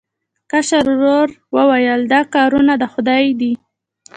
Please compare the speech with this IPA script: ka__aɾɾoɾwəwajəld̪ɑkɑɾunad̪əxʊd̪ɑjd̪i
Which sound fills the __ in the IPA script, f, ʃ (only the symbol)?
ʃ